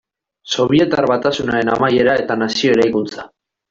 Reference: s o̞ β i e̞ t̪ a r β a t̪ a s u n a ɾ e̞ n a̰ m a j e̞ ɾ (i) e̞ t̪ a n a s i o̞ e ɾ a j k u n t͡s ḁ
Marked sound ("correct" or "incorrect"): incorrect